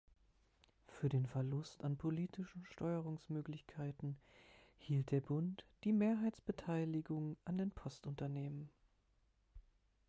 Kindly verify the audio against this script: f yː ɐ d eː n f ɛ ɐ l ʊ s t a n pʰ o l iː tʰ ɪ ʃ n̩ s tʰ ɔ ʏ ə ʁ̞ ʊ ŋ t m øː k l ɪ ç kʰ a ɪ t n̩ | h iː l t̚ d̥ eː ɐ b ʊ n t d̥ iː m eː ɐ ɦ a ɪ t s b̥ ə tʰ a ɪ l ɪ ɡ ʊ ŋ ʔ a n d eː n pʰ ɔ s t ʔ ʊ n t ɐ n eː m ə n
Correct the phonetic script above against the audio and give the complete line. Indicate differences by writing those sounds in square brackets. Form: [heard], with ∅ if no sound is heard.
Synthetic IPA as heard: f yː ɐ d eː n f ɛ ɐ l ʊ s t a n pʰ o l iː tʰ ɪ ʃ n̩ [ʃ] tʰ ɔ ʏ ə ʁ̞ ʊ ŋ [s] m øː k l ɪ ç kʰ a ɪ t n̩ | h iː l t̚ d̥ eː ɐ b ʊ n t d̥ iː m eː ɐ ɦ a ɪ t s b̥ ə tʰ a ɪ l ɪ ɡ ʊ ŋ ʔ a n d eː n pʰ ɔ s t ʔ ʊ n t ɐ n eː m ə n